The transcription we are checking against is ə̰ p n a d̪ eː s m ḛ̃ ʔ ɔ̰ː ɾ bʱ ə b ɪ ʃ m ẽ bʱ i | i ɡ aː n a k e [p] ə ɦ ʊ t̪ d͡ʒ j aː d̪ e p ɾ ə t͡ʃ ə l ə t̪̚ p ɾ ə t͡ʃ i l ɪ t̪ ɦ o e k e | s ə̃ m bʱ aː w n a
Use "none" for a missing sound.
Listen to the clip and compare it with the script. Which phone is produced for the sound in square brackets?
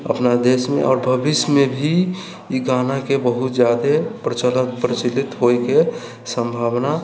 b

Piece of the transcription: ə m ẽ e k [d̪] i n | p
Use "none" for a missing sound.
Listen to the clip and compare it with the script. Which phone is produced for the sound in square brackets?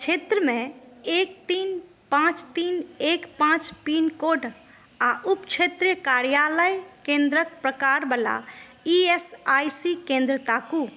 t̪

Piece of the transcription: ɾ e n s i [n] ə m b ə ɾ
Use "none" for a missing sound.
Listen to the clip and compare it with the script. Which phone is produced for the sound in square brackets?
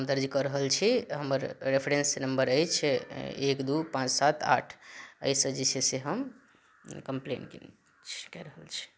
n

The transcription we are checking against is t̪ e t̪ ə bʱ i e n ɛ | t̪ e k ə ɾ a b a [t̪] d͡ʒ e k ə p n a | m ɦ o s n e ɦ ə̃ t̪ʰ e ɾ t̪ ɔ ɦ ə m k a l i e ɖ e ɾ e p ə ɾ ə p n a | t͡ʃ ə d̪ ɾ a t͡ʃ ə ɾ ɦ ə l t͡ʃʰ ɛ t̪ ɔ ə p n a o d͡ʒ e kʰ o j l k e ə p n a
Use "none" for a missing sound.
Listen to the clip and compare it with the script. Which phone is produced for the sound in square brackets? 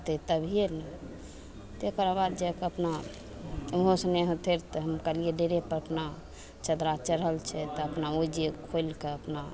d̪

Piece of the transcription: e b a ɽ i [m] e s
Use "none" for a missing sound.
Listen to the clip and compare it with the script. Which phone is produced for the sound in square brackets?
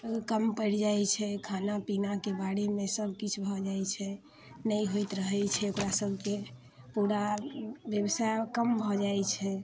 m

